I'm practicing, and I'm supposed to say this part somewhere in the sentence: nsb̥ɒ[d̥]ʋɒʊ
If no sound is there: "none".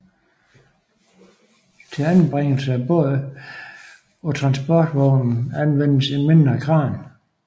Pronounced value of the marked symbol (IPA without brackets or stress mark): d̥